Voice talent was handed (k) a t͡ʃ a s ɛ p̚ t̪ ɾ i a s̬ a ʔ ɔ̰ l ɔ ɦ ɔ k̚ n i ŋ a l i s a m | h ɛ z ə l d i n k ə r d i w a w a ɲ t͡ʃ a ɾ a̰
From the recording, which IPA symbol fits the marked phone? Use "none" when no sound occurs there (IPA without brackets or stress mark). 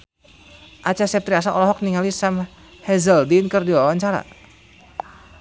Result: ʔ